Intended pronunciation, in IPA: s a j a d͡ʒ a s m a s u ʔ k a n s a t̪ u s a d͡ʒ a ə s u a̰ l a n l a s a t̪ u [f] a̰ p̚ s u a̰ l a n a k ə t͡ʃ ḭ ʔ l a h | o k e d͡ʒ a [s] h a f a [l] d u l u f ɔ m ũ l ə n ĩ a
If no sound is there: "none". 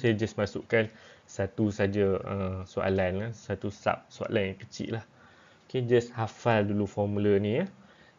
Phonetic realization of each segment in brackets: s, s, l

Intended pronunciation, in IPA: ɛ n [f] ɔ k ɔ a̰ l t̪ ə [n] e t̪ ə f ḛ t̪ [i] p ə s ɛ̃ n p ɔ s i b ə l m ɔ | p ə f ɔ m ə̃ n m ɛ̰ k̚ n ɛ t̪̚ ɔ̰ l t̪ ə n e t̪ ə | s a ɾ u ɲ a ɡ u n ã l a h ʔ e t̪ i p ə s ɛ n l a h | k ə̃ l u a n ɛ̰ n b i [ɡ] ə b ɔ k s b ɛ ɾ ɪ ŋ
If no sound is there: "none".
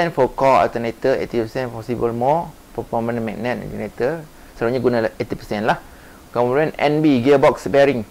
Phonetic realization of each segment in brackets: f, n, i, ɡ

